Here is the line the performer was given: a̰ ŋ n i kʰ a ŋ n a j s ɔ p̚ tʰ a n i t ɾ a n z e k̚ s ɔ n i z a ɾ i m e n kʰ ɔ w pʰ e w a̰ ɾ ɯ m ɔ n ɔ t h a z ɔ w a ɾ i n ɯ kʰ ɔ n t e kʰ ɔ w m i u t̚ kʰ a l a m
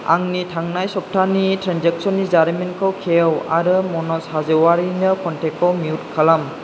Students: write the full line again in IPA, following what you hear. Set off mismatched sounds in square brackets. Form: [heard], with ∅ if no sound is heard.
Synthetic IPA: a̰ ŋ n i [tʰ] a ŋ n a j s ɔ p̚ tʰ a n i t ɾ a n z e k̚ s ɔ n i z a ɾ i m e n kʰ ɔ w [kʰ] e w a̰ ɾ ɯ m ɔ n ɔ [s] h a z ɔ w a ɾ i n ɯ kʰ ɔ n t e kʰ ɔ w m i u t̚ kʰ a l a m